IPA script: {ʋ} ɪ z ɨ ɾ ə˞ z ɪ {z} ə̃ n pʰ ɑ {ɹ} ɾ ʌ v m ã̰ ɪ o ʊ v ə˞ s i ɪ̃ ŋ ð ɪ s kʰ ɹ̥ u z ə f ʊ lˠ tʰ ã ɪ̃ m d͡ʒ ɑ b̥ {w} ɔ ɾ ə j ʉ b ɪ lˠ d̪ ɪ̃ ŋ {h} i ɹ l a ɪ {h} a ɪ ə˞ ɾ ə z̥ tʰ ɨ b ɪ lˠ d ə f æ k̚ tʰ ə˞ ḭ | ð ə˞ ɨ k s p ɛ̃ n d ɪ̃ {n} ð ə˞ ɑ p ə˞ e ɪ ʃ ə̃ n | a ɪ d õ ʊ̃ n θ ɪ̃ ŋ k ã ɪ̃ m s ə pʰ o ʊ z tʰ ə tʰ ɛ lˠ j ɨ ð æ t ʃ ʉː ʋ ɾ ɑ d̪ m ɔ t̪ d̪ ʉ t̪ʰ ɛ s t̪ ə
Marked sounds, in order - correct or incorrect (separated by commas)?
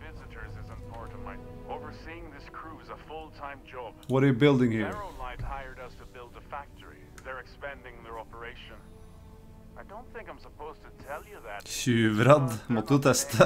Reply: incorrect, correct, correct, correct, correct, correct, incorrect